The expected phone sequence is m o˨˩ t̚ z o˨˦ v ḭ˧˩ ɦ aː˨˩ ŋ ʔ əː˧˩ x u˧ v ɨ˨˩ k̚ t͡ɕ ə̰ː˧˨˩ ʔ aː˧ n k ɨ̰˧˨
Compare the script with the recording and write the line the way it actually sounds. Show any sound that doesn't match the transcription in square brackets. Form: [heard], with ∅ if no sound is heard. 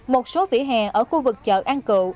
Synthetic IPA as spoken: m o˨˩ t̚ [s] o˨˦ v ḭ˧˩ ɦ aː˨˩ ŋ ʔ əː˧˩ x u˧ v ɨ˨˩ k̚ t͡ɕ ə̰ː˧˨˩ ʔ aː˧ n k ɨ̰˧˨